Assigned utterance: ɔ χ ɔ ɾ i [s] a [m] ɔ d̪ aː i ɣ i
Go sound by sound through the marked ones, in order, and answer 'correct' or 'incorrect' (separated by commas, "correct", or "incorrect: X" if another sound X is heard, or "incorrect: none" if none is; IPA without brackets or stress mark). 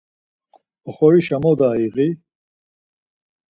incorrect: ʃ, correct